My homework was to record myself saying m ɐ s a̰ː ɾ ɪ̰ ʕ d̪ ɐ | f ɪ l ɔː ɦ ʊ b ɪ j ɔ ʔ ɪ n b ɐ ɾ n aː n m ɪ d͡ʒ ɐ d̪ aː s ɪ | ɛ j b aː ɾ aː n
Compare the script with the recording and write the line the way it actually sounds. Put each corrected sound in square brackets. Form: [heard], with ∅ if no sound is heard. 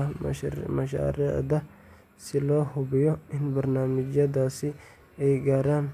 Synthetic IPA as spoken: m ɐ [ʃ] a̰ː ɾ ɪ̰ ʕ d̪ ɐ | [s] ɪ l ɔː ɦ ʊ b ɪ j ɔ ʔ ɪ n b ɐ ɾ n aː [∅] m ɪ d͡ʒ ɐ d̪ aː s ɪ | ɛ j [ɡ] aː ɾ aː n